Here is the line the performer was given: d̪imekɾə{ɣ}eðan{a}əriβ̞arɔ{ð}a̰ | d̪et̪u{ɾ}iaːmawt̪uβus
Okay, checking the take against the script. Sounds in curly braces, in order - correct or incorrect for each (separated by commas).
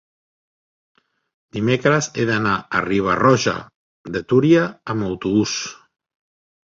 incorrect, correct, incorrect, correct